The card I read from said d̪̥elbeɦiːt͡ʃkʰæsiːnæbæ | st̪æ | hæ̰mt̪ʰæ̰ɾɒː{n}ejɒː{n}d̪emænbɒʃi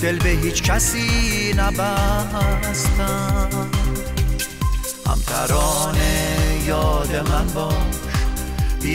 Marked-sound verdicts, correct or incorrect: correct, incorrect: none

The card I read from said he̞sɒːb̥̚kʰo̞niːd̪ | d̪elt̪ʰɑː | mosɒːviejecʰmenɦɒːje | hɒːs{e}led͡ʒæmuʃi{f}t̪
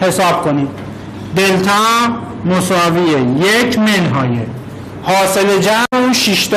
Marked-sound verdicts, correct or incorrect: correct, incorrect: ʃ

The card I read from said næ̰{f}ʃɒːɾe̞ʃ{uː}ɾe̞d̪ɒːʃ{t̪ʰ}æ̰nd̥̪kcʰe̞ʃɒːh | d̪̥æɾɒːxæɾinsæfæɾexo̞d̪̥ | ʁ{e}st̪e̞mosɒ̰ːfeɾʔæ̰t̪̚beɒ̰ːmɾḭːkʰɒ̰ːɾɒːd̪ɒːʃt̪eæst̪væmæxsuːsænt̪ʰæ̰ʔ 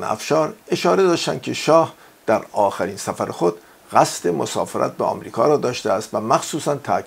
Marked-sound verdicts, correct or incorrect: correct, incorrect: ɒː, incorrect: t̪, incorrect: æ

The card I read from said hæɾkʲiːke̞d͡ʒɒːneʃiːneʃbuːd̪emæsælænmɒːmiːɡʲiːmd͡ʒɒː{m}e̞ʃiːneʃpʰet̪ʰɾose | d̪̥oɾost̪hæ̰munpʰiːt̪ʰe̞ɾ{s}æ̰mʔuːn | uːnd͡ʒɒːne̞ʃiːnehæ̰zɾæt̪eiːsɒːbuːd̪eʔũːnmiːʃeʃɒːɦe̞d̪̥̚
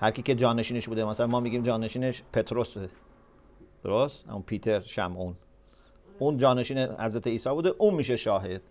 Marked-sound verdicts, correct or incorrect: incorrect: n, incorrect: ʃ

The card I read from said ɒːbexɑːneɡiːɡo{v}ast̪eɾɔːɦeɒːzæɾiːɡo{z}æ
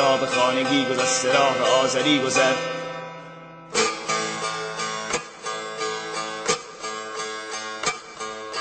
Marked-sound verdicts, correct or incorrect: incorrect: z, correct

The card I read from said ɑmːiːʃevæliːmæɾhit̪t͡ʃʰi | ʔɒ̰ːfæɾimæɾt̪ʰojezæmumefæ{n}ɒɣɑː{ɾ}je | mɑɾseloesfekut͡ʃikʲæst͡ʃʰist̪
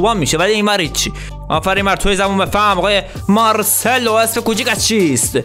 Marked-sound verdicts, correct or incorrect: incorrect: m, incorrect: none

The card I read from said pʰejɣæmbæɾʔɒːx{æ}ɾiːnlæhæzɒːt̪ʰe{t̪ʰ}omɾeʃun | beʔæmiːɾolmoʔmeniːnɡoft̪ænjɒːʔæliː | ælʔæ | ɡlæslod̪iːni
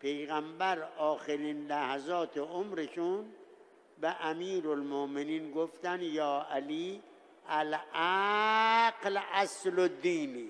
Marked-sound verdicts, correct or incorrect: incorrect: e, incorrect: none

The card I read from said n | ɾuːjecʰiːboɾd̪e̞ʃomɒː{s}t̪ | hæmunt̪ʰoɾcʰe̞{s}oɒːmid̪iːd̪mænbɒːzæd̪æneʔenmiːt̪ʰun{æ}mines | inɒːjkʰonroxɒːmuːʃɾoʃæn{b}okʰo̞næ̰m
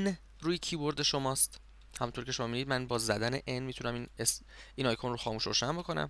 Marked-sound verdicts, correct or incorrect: correct, incorrect: ʃ, correct, correct

